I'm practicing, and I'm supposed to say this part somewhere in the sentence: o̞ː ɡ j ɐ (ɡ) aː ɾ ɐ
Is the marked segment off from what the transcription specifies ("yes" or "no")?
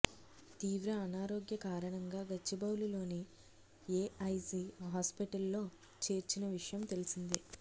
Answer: yes